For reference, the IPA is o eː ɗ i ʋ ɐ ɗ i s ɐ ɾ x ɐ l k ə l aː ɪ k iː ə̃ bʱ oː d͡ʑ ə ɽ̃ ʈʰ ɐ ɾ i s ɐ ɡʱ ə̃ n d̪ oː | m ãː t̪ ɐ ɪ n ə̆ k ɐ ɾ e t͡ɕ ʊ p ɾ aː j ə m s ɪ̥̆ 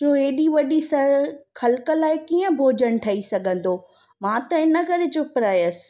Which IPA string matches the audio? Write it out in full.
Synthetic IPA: o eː ɗ i ʋ ɐ ɗ i s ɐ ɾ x ɐ l k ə l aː ɪ k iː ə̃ bʱ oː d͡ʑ ə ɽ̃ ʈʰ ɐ i s ɐ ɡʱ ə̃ n d̪ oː | m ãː t̪ ɐ ɪ n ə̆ k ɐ ɾ e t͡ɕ ʊ p ɾ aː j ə s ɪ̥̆

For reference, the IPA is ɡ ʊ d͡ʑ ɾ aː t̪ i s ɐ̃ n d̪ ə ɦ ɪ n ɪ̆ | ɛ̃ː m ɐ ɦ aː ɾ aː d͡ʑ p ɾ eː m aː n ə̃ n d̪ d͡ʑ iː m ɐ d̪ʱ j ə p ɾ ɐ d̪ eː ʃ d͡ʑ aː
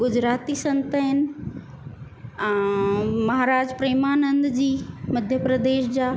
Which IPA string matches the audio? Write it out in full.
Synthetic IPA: ɡ ʊ d͡ʑ ɾ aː t̪ i s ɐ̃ n t̪ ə ɦ ɪ n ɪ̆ | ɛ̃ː m ɐ ɦ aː ɾ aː d͡ʑ p ɾ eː m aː n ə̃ n d̪ d͡ʑ iː m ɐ d̪ʱ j ə p ɾ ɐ d̪ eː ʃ d͡ʑ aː

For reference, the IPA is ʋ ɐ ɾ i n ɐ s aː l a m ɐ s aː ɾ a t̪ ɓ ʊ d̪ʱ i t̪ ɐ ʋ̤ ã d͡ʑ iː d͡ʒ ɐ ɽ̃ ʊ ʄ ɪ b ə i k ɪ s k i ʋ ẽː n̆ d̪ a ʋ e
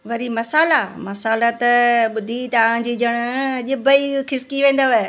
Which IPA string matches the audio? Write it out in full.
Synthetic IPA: ʋ ɐ ɾ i m ɐ s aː l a m ɐ s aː l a t̪ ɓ ʊ d̪ʱ i t̪ ɐ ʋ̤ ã d͡ʑ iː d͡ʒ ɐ ɽ̃ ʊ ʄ ɪ b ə i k ɪ s k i ʋ ẽː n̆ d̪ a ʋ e

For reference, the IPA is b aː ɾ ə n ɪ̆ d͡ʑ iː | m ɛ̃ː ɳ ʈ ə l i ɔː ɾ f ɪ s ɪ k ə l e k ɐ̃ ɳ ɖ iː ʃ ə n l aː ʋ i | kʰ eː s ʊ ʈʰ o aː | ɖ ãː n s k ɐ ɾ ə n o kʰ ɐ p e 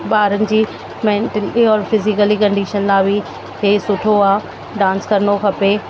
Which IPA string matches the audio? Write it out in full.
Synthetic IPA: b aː ɾ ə n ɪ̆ d͡ʑ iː | m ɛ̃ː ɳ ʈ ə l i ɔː ɾ f ɪ z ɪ k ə l i k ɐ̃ ɳ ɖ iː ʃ ə n l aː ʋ i | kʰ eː s ʊ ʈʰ o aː | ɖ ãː n s k ɐ ɾ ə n o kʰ ɐ p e

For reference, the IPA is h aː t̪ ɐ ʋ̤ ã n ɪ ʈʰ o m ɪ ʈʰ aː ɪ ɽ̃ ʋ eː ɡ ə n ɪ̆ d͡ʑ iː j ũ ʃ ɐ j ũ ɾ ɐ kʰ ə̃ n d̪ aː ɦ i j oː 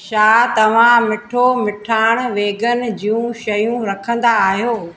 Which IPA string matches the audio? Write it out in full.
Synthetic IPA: ʃ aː t̪ ɐ ʋ̤ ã m ɪ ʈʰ o m ɪ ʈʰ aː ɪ ɽ̃ ʋ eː ɡ ə n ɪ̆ d͡ʑ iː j ũ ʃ ɐ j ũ ɾ ɐ kʰ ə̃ n d̪ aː ɦ i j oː

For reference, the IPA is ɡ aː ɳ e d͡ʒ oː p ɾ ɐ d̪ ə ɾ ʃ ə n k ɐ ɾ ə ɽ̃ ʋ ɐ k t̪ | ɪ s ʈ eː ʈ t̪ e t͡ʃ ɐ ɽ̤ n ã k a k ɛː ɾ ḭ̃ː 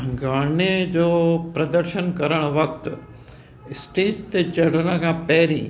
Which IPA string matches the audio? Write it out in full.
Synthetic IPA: ɡ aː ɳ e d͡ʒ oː p ɾ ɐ d̪ ə ɾ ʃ ə n k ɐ ɾ ə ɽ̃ ʋ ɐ k t̪ | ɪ s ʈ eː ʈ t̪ e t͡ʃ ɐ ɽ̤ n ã k a p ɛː ɾ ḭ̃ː

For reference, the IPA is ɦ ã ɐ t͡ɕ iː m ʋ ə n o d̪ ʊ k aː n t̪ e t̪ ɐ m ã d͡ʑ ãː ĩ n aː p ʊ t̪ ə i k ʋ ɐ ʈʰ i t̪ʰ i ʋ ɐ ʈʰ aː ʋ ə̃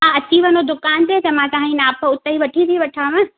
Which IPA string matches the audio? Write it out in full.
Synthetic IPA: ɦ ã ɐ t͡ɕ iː ʋ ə n o d̪ ʊ k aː n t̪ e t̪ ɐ m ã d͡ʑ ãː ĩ n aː p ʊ t̪ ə i ʋ ɐ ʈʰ i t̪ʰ i ʋ ɐ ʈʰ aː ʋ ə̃

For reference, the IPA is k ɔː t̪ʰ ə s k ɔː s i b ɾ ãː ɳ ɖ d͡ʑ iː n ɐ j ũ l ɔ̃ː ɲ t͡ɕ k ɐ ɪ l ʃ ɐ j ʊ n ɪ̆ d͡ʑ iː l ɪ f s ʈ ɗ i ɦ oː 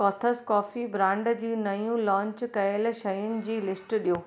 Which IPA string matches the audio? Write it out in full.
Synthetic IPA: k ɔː t̪ʰ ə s k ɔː f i b ɾ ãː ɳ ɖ d͡ʑ iː n ɐ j ũ l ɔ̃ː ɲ t͡ɕ k ɐ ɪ l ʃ ɐ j ʊ n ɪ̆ d͡ʑ iː l ɪ s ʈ ɗ i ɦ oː

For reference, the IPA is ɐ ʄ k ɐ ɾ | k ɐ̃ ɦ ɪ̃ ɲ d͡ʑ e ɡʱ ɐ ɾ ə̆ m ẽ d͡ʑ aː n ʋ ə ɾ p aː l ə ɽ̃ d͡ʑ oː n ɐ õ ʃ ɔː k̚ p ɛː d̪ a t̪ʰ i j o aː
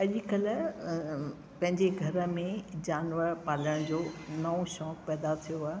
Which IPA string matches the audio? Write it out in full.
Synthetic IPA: ɐ ʄ k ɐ l | p ɐ̃ ɦ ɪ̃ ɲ d͡ʑ e ɡʱ ɐ ɾ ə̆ m ẽ d͡ʑ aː n ʋ ə ɾ p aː l ə ɽ̃ d͡ʑ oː n ɐ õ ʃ ɔː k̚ p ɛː d̪ a t̪ʰ i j o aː

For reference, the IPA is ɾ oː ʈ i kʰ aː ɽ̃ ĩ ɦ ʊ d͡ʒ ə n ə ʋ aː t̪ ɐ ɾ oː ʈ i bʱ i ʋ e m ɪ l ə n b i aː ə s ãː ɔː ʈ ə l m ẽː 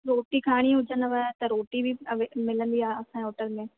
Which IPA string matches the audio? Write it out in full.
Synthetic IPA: ɾ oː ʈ i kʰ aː ɽ̃ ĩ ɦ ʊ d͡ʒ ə n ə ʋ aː t̪ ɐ ɾ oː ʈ i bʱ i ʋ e m ɪ l ə n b i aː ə s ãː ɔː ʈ ə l m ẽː

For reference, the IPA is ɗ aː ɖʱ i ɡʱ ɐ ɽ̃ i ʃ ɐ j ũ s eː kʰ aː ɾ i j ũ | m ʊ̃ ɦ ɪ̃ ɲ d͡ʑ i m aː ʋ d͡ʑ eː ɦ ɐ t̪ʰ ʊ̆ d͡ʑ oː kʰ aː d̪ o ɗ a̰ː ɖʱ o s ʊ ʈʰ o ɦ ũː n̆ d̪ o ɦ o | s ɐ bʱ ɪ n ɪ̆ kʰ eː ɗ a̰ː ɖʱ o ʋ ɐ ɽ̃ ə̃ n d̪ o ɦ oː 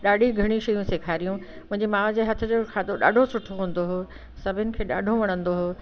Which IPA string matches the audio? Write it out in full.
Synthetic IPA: ɗ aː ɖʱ i ɡʱ ɐ ɽ̃ i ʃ ɐ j ũ s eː kʰ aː ɾ i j ũ | m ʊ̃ ɦ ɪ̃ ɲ d͡ʑ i m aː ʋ d͡ʑ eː ɦ ɐ t̪ʰ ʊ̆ d͡ʑ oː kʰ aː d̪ o ɗ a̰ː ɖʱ o s ʊ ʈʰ o ɦ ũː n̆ d̪ o ɦ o | s ɐ bʱ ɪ n ɪ̆ kʰ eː ɗ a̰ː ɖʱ o ʋ ɐ ɽ̃ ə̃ n d̪ o ɦ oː

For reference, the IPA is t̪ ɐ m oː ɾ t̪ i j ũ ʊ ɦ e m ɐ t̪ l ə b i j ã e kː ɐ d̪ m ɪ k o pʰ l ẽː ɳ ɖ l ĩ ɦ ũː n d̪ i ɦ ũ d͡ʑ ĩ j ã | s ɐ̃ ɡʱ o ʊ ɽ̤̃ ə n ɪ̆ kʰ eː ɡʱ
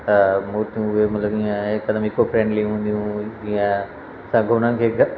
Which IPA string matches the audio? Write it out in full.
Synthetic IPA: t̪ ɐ m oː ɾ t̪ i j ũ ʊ ɦ e m ɐ t̪ l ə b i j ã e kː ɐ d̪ m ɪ k o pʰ ɾ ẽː ɳ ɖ l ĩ ɦ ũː n d̪ i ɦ ũ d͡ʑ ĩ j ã | s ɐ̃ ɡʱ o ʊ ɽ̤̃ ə n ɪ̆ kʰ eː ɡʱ

